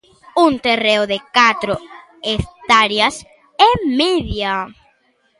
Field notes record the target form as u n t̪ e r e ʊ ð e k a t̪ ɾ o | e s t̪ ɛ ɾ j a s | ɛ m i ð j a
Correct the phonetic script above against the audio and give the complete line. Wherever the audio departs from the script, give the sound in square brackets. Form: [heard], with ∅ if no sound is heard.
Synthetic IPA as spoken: u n t̪ e r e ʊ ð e k a t̪ ɾ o | e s t̪ [a] ɾ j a s | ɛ m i ð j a